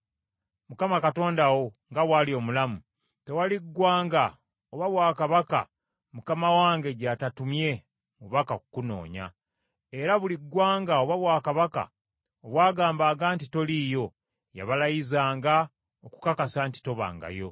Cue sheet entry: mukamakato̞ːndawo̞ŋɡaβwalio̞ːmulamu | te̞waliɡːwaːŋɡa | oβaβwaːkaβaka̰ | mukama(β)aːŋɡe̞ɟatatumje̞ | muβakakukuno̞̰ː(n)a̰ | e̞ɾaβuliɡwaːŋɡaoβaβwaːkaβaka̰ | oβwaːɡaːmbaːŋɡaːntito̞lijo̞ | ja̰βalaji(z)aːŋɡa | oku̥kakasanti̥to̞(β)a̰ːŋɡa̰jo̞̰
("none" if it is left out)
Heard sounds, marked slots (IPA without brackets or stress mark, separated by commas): w, ɲ, z, β